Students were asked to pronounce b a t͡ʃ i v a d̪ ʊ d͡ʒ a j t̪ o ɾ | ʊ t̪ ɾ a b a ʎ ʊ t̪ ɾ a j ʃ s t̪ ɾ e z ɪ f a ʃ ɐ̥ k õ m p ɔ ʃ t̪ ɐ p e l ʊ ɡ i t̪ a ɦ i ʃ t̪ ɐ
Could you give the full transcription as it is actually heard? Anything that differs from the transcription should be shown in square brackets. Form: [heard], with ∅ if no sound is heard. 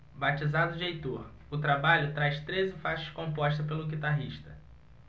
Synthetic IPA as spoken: b a t͡ʃ i [z] a d̪ ʊ d͡ʒ [e] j t̪ o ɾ | ʊ t̪ ɾ a b a ʎ ʊ t̪ ɾ a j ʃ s t̪ ɾ e z ɪ f a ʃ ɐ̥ k õ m p ɔ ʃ t̪ ɐ p e l ʊ ɡ i t̪ a ɦ i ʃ t̪ ɐ